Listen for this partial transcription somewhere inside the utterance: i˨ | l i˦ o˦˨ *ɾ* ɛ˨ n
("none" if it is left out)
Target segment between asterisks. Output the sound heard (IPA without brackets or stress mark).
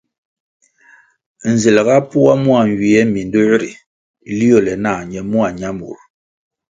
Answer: l